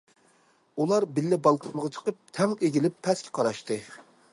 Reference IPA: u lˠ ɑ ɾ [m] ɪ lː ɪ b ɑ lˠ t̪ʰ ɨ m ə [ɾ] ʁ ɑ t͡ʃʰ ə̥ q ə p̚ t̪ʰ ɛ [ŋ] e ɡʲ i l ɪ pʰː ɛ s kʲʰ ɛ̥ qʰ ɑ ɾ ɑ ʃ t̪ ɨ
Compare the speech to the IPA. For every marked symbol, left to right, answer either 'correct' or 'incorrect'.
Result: incorrect, incorrect, correct

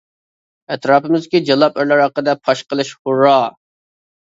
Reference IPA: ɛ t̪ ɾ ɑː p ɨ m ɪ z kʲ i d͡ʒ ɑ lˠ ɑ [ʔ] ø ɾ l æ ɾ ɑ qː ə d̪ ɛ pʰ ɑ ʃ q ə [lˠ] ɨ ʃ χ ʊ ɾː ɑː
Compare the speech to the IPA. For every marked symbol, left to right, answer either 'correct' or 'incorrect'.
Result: incorrect, correct

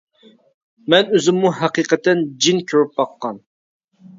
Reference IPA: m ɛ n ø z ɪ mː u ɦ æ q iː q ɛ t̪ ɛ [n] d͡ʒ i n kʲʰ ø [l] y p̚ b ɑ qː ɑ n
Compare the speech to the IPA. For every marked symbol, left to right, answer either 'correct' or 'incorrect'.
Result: correct, incorrect

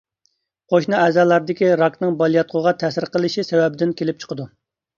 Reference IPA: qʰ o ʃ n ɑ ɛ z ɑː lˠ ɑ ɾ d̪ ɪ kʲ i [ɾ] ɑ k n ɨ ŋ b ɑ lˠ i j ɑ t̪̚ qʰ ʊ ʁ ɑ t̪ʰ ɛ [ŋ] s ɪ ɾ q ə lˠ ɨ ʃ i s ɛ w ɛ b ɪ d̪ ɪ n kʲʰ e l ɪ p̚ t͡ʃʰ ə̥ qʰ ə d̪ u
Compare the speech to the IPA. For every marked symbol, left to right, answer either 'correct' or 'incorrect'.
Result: correct, incorrect

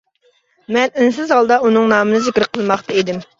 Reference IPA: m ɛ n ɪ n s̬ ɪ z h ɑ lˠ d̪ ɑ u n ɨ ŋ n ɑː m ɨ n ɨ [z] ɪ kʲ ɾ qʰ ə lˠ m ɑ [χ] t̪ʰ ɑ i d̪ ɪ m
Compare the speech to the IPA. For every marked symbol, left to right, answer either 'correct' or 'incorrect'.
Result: correct, correct

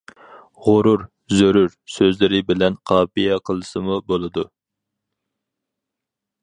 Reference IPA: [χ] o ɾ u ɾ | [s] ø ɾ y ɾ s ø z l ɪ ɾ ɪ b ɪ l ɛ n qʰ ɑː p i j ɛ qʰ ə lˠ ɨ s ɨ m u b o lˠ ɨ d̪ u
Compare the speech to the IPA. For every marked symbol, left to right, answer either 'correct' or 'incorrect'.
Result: incorrect, incorrect

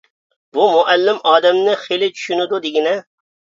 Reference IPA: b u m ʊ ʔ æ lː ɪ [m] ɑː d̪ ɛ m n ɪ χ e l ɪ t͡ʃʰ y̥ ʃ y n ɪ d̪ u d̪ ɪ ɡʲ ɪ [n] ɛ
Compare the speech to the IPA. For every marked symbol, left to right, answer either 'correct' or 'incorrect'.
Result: correct, correct

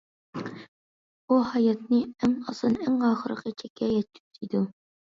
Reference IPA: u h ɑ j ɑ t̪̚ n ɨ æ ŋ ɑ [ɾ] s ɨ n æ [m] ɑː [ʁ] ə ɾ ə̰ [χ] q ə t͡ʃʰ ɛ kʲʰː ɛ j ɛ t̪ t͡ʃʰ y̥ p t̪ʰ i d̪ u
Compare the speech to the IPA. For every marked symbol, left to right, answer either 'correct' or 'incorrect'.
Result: incorrect, incorrect, incorrect, incorrect

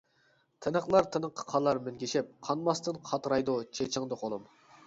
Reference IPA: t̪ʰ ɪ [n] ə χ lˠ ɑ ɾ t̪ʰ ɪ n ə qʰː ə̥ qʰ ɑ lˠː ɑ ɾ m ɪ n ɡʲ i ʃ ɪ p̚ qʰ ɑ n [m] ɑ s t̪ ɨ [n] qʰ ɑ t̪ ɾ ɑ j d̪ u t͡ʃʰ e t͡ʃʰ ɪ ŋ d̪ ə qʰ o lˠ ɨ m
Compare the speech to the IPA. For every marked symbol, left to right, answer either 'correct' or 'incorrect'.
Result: correct, correct, correct

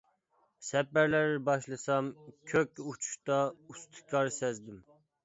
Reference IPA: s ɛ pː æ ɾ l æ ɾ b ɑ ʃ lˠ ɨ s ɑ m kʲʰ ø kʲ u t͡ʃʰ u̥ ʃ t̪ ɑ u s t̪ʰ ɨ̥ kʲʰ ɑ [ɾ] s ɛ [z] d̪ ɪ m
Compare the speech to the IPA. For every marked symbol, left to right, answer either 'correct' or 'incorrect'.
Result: correct, correct

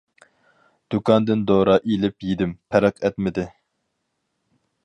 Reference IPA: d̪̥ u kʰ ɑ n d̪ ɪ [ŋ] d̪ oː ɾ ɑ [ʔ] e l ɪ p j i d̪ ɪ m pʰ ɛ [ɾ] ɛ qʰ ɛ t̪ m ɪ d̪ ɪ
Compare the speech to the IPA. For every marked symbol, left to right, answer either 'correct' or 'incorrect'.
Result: incorrect, correct, correct

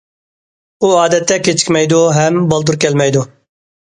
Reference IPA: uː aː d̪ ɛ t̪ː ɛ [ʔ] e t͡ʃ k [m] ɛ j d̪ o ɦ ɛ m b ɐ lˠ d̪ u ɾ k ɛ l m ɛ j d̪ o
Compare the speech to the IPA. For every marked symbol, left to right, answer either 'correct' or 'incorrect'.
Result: incorrect, correct

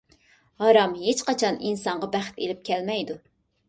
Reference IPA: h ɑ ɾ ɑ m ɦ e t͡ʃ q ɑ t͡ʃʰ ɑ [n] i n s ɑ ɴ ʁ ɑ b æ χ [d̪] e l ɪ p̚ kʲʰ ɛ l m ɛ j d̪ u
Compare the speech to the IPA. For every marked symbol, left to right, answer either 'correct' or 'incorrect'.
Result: correct, incorrect

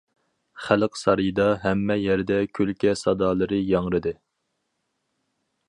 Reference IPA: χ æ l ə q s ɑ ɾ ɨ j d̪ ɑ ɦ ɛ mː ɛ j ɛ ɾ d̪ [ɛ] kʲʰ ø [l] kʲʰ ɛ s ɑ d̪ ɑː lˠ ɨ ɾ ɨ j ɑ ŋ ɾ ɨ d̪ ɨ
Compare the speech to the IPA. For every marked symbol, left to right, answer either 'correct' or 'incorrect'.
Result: correct, correct

